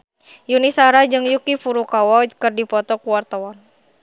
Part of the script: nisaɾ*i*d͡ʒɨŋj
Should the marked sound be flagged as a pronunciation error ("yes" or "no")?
yes